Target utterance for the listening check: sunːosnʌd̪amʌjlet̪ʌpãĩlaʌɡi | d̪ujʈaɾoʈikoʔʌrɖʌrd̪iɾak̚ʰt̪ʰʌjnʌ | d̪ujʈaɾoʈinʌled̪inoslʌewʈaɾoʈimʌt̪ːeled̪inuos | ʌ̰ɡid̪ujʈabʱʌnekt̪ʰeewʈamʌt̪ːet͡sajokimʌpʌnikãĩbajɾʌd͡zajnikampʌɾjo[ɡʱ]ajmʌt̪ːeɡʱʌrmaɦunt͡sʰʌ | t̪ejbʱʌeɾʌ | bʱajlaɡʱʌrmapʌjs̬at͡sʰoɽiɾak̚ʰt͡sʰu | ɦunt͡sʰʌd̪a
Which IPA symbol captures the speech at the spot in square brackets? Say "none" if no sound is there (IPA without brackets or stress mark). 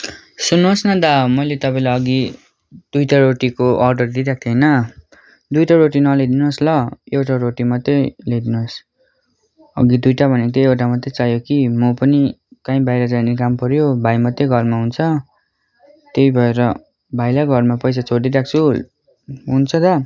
bʱ